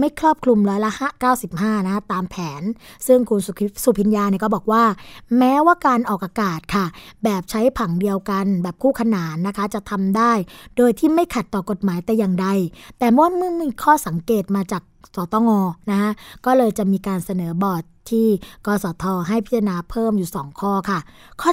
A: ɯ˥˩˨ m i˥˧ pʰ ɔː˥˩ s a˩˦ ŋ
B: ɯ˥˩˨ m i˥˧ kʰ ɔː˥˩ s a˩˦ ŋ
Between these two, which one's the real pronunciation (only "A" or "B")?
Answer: B